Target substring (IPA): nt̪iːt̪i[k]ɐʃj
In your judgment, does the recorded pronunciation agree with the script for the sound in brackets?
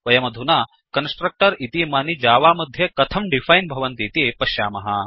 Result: no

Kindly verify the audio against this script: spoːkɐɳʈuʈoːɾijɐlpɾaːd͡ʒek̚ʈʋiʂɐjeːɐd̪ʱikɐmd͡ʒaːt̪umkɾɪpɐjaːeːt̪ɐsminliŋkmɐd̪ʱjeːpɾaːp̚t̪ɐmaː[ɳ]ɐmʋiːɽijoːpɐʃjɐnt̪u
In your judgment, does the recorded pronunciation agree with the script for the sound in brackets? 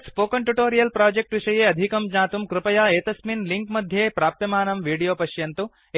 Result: no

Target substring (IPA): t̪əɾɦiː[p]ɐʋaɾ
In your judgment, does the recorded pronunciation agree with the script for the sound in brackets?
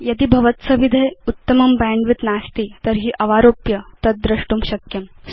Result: no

